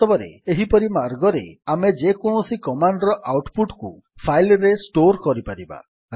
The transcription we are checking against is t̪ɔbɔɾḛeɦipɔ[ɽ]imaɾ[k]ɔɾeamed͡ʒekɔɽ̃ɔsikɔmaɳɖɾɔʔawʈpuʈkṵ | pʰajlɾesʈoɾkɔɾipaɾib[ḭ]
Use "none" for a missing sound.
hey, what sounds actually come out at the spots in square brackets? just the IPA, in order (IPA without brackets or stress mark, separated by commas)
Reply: ɾ, ɡ, a̰